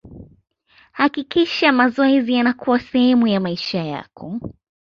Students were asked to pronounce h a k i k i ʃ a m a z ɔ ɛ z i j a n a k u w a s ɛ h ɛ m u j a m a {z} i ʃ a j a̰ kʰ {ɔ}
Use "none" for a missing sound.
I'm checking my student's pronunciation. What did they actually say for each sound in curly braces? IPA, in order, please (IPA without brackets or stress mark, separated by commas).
none, ɔ